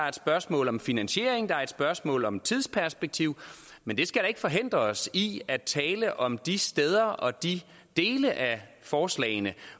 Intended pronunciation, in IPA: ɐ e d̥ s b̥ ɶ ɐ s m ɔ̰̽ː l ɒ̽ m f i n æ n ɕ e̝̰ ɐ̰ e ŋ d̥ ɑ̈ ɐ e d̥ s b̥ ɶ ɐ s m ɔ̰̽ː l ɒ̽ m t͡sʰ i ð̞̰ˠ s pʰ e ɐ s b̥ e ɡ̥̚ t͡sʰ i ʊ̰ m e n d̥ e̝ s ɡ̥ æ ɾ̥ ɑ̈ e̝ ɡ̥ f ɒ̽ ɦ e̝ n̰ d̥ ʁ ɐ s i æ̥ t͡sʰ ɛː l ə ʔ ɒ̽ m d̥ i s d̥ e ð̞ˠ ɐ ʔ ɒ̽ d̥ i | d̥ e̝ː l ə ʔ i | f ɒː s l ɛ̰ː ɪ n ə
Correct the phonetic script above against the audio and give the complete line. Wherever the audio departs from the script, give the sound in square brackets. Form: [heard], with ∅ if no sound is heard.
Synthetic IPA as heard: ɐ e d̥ s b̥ ɶ ɐ s m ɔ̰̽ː l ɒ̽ m f i n æ n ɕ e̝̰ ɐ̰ e ŋ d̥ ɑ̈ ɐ e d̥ s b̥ ɶ ɐ s m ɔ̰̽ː l ɒ̽ m t͡sʰ i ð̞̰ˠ s pʰ [æ] ɐ s b̥ e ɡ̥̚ t͡sʰ i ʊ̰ m e n d̥ e̝ s ɡ̥ æ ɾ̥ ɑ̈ e̝ ɡ̥ f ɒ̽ ɦ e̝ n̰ d̥ ʁ ɐ s i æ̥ t͡sʰ ɛː l ə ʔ ɒ̽ m d̥ i s d̥ e ð̞ˠ ɐ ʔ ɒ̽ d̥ i | d̥ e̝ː l ə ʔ [æ] | f ɒː s l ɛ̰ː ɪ n ə